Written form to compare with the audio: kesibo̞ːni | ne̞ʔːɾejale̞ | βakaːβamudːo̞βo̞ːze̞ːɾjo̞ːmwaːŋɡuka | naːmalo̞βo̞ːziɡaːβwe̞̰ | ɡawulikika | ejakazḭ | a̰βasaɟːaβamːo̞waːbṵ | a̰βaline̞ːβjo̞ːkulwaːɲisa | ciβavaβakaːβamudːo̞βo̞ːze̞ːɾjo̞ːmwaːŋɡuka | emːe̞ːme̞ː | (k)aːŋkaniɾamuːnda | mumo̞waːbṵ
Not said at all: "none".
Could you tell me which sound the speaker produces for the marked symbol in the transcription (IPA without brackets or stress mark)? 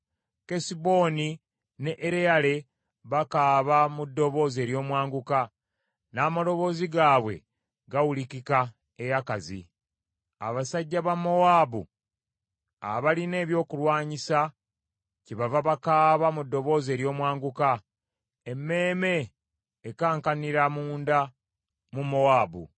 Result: k